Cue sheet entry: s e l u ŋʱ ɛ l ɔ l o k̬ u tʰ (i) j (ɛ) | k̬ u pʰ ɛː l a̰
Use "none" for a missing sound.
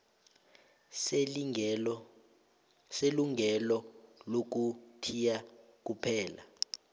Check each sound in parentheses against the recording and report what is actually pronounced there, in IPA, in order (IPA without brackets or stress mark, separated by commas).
i, a